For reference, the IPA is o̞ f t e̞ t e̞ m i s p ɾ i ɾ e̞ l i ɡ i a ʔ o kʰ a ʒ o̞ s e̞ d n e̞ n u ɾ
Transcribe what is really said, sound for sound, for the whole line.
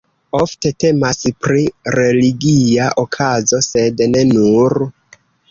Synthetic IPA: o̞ f t e̞ t e̞ m a s p ɾ i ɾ e̞ l i ɡ i a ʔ o kʰ a z o̞ s e̞ d n e̞ n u ɾ